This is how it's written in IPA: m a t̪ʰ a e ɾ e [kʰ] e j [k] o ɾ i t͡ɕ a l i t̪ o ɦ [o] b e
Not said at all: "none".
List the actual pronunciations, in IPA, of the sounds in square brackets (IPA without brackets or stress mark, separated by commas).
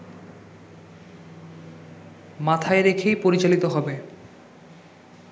kʰ, p, ɔ